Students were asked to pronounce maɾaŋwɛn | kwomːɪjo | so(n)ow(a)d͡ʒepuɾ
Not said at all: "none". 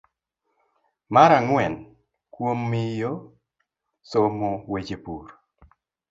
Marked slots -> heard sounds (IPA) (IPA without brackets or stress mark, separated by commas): m, e